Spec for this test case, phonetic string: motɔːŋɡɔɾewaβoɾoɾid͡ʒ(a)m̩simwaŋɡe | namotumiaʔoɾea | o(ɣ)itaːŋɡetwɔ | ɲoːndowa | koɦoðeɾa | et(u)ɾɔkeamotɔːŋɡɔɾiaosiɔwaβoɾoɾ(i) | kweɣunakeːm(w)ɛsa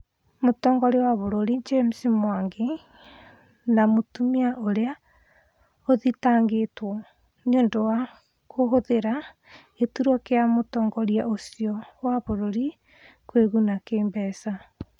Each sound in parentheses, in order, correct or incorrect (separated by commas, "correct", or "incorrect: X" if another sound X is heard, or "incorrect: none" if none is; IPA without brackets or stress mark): incorrect: e, incorrect: ð, correct, correct, incorrect: b